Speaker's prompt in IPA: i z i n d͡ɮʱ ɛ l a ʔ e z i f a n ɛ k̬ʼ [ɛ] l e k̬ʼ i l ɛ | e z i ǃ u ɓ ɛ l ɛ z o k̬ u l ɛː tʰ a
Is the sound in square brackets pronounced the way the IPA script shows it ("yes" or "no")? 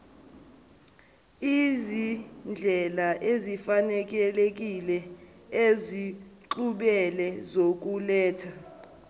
yes